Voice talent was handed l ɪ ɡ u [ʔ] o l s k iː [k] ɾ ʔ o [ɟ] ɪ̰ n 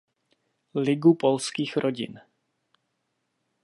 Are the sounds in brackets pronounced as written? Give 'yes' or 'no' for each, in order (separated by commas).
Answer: no, no, yes